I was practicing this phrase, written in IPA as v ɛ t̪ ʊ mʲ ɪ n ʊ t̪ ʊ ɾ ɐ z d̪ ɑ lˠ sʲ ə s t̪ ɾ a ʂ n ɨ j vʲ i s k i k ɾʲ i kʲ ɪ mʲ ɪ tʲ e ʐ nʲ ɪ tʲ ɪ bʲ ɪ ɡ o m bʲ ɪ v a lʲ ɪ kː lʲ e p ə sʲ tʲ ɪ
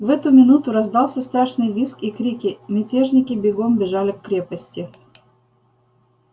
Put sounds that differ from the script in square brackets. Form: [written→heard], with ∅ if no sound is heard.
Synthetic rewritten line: v ɛ t̪ ʊ mʲ ɪ n [ʊ→u] t̪ ʊ ɾ ɐ z d̪ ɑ lˠ sʲ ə s t̪ ɾ a ʂ n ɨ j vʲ i s k i k ɾʲ i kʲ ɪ mʲ ɪ tʲ e ʐ nʲ ɪ [tʲ→kʲ] ɪ bʲ ɪ ɡ o m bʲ ɪ [v→ʐ] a lʲ ɪ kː [lʲ→ɾʲ] e p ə sʲ tʲ ɪ